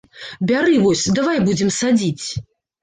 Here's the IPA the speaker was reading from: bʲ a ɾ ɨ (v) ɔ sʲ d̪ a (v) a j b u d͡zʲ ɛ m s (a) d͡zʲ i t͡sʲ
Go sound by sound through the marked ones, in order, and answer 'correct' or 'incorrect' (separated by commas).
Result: correct, correct, correct